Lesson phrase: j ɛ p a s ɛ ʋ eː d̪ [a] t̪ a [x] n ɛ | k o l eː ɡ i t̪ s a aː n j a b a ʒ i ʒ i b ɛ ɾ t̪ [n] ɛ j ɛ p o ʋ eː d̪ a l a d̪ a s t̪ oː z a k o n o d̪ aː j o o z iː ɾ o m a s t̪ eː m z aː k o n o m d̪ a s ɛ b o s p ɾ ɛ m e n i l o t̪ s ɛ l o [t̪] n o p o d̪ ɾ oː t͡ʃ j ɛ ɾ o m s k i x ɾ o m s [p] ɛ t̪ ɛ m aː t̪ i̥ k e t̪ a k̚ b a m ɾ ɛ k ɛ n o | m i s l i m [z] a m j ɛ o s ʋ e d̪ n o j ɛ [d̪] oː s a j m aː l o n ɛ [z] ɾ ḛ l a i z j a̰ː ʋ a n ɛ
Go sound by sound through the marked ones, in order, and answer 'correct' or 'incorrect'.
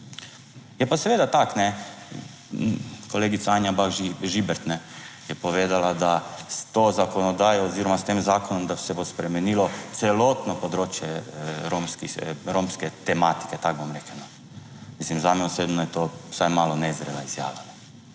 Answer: correct, incorrect, correct, correct, incorrect, correct, incorrect, correct

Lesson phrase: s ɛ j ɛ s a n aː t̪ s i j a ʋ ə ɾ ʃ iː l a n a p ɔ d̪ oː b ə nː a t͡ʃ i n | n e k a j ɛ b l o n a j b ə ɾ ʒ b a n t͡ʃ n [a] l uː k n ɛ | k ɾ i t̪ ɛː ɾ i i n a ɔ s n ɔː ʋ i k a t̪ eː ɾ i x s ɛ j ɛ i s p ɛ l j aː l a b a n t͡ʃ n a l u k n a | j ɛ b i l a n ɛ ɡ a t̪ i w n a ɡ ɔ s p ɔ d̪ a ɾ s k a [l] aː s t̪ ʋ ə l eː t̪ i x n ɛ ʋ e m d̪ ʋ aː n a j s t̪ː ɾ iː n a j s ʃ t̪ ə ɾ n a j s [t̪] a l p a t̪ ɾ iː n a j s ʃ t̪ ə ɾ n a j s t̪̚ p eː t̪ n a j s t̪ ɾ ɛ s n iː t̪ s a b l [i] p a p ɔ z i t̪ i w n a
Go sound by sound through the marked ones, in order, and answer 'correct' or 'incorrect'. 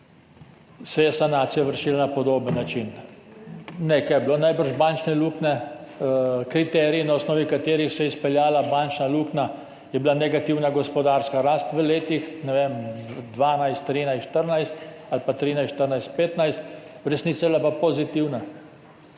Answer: incorrect, incorrect, correct, incorrect

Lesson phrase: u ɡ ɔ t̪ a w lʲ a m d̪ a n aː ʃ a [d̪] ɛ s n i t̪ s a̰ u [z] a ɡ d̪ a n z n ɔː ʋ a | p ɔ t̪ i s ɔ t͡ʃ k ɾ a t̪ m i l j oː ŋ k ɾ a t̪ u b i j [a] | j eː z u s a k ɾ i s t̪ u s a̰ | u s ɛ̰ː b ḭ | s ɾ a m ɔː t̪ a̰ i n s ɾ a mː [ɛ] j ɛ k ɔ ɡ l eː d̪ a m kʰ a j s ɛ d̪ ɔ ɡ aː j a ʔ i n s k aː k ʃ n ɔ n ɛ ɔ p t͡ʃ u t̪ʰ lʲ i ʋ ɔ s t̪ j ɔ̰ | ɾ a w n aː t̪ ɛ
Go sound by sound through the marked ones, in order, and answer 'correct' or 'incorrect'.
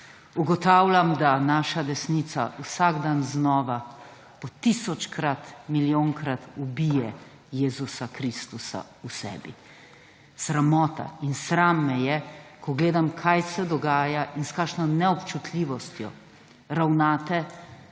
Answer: correct, incorrect, incorrect, correct

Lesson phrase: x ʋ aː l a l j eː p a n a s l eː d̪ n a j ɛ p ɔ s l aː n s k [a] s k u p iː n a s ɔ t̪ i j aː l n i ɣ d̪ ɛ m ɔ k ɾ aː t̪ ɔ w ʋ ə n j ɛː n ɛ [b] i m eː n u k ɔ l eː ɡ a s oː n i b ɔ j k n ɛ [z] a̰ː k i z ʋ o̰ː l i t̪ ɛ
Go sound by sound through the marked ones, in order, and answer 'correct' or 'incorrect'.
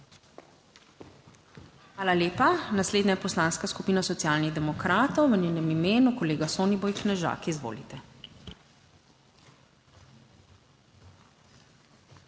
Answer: correct, incorrect, incorrect

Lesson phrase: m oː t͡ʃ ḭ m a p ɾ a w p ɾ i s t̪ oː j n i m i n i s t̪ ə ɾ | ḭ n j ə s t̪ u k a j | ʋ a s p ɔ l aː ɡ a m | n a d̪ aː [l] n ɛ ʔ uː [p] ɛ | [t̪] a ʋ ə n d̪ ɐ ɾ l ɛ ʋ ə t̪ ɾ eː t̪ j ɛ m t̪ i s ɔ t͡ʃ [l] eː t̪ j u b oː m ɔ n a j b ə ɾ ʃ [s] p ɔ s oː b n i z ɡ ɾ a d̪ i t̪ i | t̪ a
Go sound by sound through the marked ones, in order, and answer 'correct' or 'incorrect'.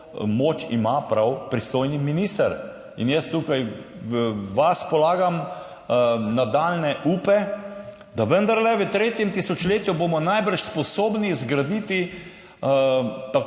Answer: correct, correct, incorrect, correct, correct

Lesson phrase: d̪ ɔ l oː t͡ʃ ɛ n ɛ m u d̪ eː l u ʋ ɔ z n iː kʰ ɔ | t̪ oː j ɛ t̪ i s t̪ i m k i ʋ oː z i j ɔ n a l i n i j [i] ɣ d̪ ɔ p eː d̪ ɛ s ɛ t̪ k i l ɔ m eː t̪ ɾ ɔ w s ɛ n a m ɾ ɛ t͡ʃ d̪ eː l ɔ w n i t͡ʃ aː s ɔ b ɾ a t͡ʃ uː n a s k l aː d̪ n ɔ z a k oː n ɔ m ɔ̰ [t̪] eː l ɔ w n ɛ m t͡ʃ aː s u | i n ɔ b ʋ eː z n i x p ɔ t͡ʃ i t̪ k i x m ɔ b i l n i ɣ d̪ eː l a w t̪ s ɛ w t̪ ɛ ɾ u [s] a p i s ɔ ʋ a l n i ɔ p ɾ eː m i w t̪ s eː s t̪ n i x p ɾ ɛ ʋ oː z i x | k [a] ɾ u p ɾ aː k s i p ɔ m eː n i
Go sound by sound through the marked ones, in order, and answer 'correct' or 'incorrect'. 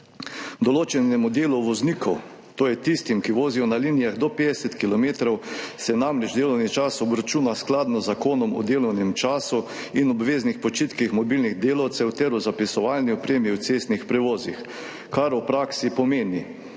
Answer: incorrect, incorrect, incorrect, correct

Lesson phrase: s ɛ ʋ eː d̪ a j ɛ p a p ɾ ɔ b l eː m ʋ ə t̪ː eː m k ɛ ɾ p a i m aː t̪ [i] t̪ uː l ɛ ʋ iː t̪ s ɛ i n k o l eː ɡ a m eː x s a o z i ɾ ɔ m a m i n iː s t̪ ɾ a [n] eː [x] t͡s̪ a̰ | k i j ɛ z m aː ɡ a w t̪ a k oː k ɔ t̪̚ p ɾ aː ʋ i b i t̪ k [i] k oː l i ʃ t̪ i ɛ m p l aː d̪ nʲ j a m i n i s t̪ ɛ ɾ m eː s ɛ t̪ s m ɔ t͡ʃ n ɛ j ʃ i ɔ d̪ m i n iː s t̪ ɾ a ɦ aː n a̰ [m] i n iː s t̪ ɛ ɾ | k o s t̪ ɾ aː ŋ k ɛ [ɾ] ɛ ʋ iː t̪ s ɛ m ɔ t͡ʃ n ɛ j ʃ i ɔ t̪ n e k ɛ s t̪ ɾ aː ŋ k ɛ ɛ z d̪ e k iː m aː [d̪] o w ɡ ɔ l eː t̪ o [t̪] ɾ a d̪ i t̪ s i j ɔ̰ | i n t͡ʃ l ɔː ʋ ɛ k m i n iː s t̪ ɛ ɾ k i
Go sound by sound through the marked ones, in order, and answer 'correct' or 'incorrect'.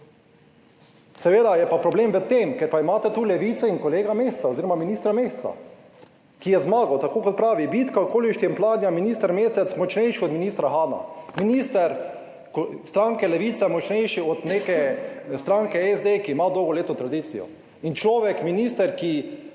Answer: incorrect, incorrect, correct, incorrect, correct, incorrect, correct, correct

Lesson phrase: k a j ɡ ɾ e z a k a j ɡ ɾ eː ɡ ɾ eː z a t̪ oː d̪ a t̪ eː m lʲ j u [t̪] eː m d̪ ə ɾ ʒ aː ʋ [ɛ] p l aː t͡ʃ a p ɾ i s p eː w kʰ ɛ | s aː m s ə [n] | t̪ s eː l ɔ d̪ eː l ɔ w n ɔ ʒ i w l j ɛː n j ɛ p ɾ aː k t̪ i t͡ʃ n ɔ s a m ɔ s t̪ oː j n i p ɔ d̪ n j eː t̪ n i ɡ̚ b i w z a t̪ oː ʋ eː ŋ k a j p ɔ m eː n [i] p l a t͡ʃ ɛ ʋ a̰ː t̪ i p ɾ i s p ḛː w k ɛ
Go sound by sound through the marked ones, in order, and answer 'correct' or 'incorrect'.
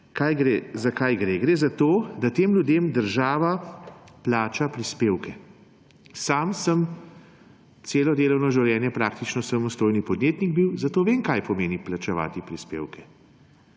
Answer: incorrect, incorrect, incorrect, correct

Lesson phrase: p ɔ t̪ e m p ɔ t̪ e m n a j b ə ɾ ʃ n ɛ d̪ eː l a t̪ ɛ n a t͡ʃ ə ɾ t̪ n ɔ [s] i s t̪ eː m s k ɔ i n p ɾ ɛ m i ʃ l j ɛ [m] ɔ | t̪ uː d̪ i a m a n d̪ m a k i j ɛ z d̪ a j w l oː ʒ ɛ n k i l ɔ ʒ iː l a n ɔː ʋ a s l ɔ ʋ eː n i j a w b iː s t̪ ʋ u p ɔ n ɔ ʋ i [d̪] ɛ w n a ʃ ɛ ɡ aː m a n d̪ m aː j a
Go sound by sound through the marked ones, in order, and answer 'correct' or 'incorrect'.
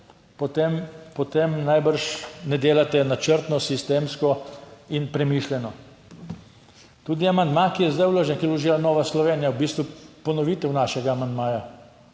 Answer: correct, incorrect, incorrect

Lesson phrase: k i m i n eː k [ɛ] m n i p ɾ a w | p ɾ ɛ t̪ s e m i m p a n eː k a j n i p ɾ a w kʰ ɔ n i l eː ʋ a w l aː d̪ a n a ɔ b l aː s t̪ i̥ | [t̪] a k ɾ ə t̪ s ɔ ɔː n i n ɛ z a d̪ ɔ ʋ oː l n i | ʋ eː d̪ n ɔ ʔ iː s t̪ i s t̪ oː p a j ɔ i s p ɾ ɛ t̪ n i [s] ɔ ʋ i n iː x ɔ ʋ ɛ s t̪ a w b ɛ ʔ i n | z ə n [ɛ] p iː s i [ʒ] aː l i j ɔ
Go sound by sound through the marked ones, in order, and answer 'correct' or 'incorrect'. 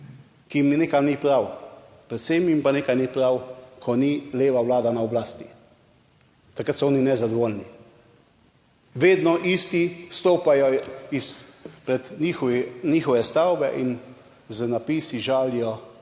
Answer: incorrect, correct, incorrect, incorrect, correct

